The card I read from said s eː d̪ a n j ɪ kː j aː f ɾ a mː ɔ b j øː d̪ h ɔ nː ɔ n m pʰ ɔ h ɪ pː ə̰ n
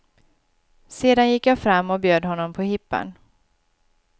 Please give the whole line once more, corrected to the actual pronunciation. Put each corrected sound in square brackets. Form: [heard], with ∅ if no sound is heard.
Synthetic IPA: s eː d̪ a n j ɪ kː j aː f ɾ a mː ɔ b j øː d̪ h ɔ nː ɔ [∅] m pʰ ɔ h ɪ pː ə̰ n